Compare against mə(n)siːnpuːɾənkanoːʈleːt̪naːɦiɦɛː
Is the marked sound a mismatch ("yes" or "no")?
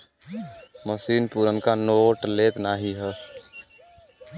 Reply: yes